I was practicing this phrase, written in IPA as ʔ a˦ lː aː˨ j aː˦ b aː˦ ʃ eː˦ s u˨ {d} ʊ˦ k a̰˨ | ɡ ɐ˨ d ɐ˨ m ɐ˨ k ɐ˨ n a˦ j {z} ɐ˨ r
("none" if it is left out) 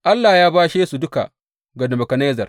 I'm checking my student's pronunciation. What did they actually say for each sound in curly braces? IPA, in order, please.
d, z

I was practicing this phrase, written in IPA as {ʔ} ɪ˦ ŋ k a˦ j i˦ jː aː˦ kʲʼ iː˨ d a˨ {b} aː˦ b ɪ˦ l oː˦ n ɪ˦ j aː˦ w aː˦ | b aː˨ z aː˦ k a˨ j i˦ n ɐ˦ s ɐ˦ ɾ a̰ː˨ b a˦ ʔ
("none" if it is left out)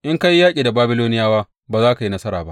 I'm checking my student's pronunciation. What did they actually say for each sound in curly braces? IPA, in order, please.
ʔ, b

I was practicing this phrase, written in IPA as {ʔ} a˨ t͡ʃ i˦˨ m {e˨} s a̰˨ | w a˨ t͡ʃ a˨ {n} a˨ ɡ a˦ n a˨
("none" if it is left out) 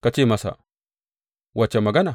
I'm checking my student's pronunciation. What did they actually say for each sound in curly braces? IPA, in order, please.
k, a˨, m

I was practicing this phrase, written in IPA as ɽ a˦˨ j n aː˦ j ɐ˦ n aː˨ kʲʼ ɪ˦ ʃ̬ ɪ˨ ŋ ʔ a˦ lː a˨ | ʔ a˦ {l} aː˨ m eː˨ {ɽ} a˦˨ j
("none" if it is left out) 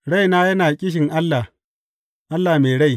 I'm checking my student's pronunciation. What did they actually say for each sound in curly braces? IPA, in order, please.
lː, ɽ

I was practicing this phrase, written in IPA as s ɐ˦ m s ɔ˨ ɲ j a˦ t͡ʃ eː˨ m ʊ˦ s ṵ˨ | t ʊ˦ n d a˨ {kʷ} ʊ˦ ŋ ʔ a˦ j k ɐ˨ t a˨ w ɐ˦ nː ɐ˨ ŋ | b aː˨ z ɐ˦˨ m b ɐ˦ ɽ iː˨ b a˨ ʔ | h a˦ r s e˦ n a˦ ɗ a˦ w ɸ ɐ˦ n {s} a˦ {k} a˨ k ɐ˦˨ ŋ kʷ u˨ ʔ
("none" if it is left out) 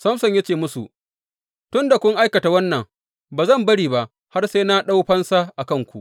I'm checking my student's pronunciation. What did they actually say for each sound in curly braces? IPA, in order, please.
kʷ, s, ʔ

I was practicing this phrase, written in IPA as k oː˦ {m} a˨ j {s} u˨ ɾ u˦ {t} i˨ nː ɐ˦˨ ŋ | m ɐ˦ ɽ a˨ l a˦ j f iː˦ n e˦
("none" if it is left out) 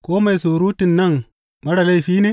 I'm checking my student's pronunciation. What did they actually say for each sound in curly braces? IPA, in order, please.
m, s, t

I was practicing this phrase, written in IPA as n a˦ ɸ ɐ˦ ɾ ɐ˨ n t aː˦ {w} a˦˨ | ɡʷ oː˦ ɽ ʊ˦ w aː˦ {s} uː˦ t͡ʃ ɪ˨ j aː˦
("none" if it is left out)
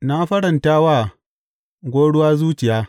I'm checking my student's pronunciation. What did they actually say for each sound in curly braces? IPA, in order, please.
w, z

